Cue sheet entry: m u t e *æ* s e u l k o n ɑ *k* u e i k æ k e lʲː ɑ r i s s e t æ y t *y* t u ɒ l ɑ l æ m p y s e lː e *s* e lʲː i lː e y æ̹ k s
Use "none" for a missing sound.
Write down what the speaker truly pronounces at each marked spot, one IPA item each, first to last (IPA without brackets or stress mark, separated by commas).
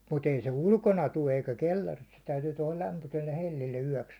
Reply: i, t, yː, h